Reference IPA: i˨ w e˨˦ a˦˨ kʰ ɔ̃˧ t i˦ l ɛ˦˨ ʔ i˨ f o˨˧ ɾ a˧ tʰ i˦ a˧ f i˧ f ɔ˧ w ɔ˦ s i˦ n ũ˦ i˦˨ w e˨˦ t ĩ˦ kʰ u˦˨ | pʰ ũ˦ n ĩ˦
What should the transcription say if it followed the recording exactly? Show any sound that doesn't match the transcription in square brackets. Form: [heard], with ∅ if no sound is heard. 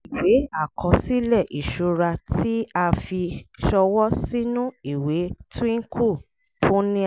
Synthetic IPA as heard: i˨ w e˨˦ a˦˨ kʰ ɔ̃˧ [s] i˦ l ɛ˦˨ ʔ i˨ [ʃ] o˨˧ ɾ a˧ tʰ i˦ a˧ f i˧ [ʃ] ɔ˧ w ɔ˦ s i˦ n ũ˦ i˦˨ w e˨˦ t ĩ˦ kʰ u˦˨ | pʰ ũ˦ n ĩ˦